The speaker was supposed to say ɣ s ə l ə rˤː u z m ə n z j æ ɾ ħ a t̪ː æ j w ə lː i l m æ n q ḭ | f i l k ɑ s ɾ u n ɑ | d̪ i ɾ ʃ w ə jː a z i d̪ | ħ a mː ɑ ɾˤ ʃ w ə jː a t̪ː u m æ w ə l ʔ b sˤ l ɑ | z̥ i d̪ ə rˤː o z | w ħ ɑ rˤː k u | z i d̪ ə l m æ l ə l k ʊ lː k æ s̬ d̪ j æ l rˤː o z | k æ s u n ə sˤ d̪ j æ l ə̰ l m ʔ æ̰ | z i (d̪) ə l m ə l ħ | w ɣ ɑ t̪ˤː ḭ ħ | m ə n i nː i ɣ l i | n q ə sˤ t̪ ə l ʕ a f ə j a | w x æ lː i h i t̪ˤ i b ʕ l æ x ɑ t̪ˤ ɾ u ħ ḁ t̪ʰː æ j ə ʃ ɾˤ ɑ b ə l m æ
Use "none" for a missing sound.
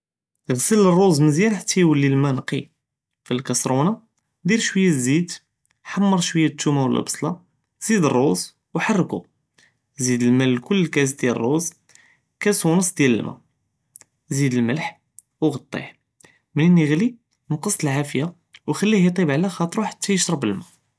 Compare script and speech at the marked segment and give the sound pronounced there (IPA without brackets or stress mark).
d̪